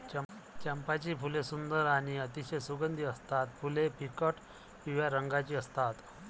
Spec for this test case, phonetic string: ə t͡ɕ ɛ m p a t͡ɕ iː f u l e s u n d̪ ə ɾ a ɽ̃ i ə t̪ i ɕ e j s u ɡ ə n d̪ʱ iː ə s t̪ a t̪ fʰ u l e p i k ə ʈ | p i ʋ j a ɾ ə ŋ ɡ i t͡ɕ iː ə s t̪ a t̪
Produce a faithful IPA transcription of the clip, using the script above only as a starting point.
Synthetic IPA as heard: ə t͡ɕ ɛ m p a t͡ɕ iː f u l e s u n d̪ ə ɾ a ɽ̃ i ə t̪ i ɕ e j s u ɡ ə n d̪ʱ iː ə s t̪ a t̪ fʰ u l e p i k ə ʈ | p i ʋ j a ɾ ə ŋ ɡ a t͡ɕ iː ə s t̪ a t̪